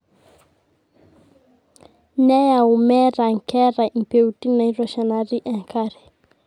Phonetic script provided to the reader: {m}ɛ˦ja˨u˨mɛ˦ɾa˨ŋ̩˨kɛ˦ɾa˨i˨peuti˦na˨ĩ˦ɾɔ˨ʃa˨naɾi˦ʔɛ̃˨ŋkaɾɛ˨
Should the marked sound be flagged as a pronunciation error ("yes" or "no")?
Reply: yes